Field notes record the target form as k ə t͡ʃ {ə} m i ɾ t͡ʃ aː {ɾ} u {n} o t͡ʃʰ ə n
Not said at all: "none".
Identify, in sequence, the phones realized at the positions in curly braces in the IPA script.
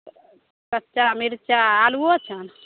a, l, none

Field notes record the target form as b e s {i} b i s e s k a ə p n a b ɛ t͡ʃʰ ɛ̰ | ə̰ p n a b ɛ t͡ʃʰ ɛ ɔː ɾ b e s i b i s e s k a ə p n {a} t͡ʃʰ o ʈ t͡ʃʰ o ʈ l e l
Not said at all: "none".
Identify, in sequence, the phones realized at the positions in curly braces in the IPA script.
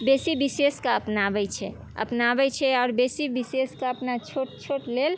i, a

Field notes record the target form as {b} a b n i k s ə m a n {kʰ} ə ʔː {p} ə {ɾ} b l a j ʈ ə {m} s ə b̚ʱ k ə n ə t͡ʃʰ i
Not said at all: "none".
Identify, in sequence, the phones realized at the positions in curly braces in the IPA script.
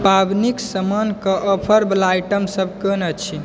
p, k, pʰ, ɾ, m

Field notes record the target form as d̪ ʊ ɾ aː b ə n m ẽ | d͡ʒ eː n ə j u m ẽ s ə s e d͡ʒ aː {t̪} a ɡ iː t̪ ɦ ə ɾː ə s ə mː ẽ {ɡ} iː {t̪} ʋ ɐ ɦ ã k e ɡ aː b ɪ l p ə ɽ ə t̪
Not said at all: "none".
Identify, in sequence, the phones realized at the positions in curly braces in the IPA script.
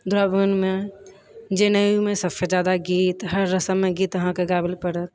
d̪, ɡ, t̪

